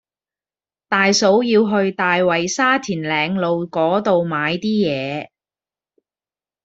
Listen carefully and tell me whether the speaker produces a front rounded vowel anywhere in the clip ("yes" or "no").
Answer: no